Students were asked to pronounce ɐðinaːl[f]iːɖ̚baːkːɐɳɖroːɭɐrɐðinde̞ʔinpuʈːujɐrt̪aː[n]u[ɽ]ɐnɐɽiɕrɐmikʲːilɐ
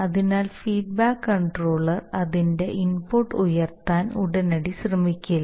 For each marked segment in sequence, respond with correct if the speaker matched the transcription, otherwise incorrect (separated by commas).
correct, correct, correct